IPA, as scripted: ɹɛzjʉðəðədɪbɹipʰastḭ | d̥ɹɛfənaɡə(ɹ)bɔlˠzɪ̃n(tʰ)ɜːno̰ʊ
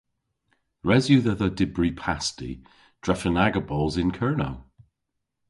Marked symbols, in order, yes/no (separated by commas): no, no